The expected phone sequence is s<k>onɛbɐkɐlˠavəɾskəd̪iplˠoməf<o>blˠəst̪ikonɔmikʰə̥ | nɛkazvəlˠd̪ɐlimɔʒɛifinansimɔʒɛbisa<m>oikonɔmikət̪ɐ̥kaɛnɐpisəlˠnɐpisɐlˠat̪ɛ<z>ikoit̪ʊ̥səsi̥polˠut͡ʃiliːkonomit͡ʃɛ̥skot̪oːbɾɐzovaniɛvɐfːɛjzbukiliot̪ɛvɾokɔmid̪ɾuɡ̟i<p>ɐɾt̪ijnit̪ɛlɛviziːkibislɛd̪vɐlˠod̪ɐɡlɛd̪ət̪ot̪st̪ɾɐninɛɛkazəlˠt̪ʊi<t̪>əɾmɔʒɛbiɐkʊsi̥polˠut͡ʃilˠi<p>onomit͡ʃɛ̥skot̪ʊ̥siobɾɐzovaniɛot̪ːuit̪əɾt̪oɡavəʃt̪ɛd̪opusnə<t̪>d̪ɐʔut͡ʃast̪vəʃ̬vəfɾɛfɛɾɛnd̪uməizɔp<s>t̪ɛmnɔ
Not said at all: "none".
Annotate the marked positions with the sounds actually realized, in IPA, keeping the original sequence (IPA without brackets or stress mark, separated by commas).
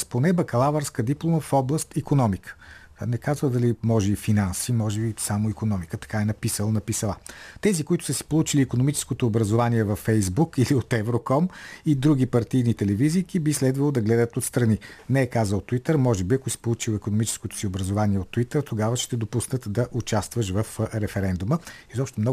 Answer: p, ɔ, m, z, p, t̪, k, t̪, ʃ